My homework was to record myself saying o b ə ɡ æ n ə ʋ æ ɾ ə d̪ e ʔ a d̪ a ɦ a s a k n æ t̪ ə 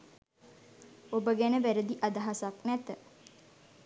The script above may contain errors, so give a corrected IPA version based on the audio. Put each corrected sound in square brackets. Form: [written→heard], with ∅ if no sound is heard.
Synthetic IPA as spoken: o b ə ɡ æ n ə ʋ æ ɾ ə d̪ [e→i] ʔ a d̪ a ɦ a s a k n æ t̪ ə